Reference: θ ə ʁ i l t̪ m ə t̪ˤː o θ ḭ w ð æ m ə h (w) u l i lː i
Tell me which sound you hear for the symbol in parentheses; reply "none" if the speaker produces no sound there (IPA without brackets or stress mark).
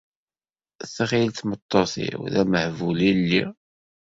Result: v